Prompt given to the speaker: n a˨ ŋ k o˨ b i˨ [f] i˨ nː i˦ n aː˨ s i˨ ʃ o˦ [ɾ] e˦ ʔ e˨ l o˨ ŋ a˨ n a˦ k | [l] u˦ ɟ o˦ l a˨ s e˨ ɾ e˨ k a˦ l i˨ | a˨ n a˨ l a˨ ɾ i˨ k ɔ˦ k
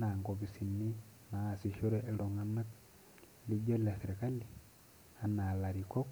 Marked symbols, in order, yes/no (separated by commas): no, yes, yes